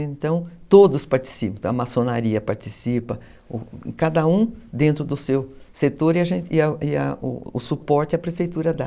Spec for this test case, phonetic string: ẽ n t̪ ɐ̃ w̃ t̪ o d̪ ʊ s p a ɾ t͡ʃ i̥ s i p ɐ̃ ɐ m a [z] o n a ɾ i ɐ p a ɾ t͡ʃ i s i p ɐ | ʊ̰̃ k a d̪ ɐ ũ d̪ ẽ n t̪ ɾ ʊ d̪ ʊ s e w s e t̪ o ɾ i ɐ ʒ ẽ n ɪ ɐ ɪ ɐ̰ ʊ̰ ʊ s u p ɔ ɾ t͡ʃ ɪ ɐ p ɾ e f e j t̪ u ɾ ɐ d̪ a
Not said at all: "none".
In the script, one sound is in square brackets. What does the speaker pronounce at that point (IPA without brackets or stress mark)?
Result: s